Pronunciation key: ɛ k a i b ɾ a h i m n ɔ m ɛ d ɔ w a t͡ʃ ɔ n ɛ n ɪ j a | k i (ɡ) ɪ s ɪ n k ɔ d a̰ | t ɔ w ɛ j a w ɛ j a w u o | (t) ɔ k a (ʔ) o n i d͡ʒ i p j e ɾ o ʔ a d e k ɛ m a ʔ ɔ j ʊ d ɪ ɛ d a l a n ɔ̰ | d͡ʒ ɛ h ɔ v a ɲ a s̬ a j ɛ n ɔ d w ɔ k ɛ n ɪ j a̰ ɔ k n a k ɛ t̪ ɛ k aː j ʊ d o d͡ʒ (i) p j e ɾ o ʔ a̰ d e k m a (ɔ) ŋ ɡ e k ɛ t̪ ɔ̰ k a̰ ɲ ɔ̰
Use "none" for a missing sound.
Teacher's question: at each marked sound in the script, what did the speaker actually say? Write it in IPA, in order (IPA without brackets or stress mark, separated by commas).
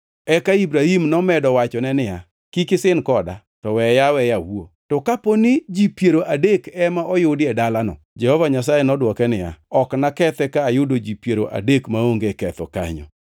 k, t, p, i, o